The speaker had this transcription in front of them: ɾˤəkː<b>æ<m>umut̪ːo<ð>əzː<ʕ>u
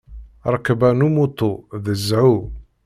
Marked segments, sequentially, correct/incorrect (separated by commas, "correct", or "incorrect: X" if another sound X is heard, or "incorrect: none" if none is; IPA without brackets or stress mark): correct, incorrect: n, correct, correct